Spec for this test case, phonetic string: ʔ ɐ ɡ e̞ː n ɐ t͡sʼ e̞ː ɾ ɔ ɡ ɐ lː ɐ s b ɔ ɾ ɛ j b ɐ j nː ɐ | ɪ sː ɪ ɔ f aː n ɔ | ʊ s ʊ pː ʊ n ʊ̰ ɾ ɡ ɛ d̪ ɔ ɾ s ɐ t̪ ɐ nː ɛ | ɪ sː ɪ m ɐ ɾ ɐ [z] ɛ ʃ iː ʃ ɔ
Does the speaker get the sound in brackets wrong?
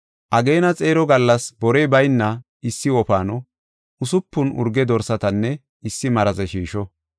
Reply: no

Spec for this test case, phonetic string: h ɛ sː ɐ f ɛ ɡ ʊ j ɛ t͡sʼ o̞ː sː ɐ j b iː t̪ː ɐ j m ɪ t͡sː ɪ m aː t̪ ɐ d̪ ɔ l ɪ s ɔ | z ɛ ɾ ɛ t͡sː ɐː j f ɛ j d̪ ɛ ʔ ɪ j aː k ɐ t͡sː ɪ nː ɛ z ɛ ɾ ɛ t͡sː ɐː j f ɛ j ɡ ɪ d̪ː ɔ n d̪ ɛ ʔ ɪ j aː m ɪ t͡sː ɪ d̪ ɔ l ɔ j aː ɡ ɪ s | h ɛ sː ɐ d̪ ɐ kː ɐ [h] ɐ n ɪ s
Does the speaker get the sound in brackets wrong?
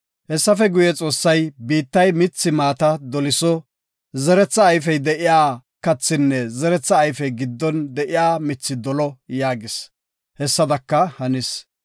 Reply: no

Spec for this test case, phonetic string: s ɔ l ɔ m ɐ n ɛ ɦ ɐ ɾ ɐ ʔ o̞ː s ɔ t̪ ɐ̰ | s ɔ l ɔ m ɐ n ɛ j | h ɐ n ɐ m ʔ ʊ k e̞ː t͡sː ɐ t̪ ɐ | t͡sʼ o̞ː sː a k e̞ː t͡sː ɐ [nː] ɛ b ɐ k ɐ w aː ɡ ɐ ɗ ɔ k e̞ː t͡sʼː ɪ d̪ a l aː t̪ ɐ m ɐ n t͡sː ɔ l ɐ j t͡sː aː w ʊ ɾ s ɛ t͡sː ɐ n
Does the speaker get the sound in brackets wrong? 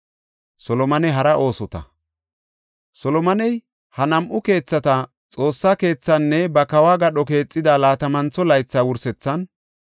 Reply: no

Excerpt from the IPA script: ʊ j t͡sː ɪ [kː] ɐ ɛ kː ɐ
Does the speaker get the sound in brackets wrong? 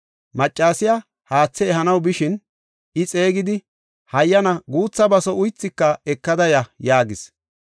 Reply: no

